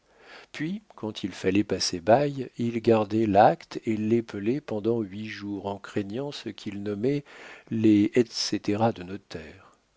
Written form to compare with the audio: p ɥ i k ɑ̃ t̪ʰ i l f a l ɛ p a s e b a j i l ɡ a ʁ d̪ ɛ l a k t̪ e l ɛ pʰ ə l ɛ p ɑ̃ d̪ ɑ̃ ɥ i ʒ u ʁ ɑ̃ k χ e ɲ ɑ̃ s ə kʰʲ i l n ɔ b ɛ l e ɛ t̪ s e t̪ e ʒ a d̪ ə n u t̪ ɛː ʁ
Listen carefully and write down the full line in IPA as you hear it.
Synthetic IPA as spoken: p ɥ i k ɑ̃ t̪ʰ i l f a l ɛ p a s e b a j i l ɡ a ʁ d̪ ɛ l a k t̪ e l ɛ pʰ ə l ɛ p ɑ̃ d̪ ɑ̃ ɥ i ʒ u ʁ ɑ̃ k χ e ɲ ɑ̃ s ə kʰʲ i l n ɔ m ɛ l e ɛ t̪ s e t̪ e ʁ a d̪ ə n ɔ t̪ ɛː ʁ